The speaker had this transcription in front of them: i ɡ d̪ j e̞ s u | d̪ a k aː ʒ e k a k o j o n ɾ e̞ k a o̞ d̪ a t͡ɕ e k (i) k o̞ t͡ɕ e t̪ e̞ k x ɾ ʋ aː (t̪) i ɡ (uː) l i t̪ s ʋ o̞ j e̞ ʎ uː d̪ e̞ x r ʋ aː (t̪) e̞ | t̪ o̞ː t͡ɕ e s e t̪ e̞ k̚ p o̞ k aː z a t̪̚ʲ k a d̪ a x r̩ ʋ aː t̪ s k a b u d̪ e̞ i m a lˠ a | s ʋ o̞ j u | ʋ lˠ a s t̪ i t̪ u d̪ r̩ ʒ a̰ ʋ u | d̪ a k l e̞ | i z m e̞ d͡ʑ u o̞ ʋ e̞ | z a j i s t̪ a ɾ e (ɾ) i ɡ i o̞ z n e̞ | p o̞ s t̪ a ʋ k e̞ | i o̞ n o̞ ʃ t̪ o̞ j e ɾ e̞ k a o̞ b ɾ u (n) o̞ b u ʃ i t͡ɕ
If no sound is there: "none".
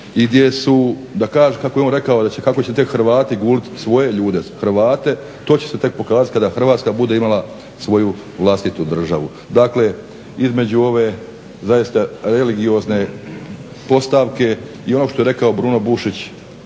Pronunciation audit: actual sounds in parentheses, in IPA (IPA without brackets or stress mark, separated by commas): a, t̪, uː, t̪, l, n